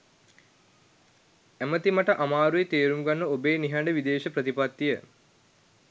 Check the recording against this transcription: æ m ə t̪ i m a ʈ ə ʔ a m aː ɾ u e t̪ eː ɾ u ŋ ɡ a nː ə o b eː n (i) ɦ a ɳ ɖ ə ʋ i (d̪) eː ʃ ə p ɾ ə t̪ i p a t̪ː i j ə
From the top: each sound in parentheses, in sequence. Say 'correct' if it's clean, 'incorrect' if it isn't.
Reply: correct, correct

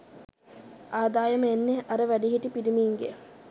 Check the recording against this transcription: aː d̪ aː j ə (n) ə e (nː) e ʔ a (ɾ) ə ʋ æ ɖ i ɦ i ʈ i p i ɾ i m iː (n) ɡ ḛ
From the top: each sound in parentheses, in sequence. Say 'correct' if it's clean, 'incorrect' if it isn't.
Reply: incorrect, correct, correct, incorrect

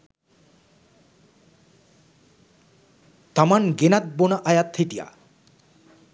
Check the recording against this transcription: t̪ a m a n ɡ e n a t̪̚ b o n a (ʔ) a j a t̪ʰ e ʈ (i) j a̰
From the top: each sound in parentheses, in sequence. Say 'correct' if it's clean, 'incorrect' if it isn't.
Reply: correct, correct

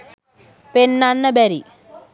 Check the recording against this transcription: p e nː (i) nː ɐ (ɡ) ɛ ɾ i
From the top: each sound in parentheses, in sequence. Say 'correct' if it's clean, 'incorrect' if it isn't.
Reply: incorrect, incorrect

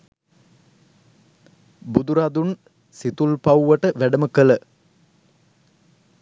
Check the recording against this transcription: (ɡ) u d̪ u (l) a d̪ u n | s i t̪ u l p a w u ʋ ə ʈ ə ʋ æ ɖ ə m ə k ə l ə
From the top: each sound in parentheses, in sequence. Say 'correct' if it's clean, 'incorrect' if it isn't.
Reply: incorrect, incorrect

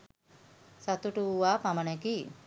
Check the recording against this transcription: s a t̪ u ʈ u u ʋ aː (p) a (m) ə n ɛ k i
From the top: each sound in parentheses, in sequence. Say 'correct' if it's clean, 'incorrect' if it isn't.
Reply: correct, correct

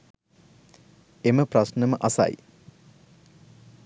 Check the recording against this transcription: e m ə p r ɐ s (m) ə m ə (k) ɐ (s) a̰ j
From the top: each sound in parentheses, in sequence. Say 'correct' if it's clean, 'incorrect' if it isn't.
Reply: incorrect, incorrect, correct

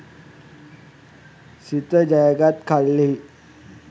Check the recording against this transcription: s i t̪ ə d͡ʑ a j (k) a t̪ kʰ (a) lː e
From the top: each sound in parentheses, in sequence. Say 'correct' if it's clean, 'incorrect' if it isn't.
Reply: incorrect, correct

